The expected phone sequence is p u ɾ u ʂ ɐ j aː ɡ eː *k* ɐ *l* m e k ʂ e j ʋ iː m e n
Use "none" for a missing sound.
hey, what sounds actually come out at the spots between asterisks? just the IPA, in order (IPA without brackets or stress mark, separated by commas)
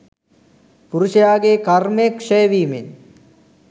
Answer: k, r